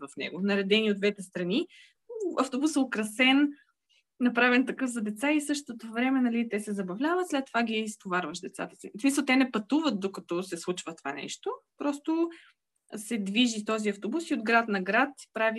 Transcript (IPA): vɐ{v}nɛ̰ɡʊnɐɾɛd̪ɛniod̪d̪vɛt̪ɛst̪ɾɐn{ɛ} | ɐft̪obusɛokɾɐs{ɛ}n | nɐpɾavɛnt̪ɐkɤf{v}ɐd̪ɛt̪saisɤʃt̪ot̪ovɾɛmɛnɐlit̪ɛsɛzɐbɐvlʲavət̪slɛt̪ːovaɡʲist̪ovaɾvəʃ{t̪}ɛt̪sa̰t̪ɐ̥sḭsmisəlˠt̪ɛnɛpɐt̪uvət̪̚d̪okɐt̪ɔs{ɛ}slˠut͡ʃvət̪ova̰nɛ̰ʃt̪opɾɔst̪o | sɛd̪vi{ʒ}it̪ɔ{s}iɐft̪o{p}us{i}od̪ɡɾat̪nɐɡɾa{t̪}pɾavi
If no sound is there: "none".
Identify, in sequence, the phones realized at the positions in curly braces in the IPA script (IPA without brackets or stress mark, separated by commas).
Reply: f, i, ɛ, z, d̪, ɛ, ʒ, z, b, i, t̪